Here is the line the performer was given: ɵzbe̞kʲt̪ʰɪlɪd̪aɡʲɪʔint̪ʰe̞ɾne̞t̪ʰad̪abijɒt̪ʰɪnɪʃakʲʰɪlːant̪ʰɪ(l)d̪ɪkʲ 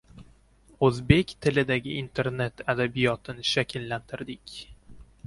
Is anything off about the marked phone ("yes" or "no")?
yes